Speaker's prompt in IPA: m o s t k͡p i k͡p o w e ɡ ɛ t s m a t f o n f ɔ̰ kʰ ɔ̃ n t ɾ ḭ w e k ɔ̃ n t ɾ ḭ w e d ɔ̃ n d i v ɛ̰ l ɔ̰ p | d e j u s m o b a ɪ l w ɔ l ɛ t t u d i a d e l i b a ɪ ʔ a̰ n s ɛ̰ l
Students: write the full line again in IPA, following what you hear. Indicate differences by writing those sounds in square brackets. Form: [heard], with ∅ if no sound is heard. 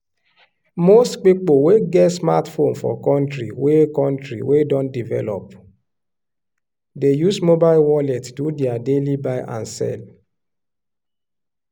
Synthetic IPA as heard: m o s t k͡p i k͡p o w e ɡ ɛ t s m a t f o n f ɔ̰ [k] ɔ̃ n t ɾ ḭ w e k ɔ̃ n t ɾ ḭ w e d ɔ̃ n d i v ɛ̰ l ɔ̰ p | d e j u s m o b a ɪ l w ɔ l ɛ t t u d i a d e l i b a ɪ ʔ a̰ n s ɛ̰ l